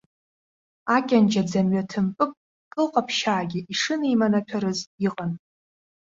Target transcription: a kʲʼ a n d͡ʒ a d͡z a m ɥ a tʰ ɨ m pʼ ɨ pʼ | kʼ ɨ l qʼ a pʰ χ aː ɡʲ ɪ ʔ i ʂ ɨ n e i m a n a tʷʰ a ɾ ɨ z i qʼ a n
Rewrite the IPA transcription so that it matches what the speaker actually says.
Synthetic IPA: a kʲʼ a n d͡ʒ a d͡z a m ɥ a tʰ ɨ m pʼ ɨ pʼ | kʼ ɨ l qʼ a pʰ ʃ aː ɡʲ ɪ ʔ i ʂ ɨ n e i m a n a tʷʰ a ɾ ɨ z i qʼ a n